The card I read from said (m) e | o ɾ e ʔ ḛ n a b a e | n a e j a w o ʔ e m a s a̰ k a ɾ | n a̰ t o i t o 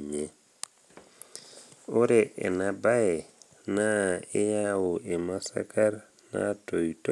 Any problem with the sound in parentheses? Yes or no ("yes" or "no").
yes